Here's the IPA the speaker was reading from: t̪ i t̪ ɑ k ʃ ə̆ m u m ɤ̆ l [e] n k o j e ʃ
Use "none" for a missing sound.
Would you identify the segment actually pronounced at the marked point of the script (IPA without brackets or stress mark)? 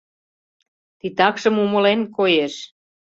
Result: e